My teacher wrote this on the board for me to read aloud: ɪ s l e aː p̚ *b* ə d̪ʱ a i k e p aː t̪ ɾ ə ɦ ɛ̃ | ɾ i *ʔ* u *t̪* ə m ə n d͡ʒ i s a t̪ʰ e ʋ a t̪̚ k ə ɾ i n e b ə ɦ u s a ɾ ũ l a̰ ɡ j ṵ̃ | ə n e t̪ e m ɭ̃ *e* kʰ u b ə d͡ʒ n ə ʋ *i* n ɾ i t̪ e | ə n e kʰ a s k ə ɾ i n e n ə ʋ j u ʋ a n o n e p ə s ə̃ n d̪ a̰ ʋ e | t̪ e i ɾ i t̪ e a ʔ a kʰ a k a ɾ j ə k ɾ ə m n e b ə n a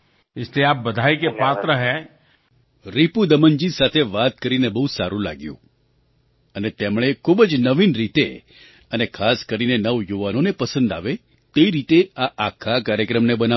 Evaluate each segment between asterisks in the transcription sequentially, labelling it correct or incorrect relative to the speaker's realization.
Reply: correct, incorrect, incorrect, correct, correct

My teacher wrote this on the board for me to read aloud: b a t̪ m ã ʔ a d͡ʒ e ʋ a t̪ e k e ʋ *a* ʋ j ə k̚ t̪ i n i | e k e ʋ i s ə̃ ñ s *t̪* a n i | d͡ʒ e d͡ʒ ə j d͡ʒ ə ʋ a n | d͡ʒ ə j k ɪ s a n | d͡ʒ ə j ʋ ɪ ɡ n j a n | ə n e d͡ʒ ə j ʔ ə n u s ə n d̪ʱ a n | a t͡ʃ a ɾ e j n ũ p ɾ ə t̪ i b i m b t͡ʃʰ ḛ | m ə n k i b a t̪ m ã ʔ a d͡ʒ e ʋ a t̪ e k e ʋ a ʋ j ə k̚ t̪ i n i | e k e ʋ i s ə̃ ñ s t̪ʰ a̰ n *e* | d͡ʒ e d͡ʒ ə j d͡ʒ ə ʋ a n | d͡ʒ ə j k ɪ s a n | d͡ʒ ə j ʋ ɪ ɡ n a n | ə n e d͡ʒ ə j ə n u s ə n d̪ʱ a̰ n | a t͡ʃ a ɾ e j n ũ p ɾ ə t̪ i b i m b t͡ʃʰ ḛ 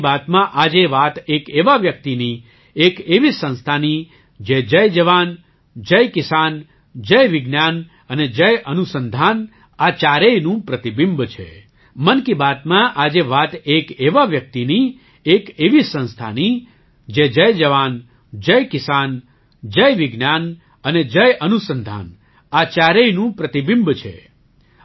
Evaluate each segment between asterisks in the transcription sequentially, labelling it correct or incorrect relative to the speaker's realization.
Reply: correct, incorrect, incorrect

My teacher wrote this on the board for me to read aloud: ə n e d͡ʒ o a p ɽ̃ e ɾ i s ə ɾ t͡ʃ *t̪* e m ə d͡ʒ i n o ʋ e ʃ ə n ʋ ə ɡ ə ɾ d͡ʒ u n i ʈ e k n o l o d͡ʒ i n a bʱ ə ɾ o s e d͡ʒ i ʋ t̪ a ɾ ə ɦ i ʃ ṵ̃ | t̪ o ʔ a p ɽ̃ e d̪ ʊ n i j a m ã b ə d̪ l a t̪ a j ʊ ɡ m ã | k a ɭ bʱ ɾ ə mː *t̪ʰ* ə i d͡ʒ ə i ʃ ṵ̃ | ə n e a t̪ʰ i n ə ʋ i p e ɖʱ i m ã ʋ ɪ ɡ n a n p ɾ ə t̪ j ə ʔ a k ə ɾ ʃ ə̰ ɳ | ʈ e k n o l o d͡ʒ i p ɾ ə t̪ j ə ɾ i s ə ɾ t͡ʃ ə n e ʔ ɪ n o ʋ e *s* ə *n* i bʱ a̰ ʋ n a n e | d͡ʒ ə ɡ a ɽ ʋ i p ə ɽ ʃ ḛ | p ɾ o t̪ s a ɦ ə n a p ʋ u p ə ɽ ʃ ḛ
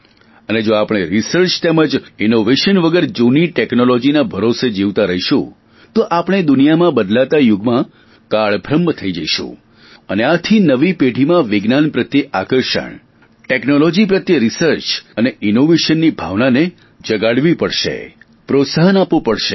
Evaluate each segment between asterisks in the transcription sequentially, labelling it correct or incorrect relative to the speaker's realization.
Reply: correct, correct, incorrect, incorrect

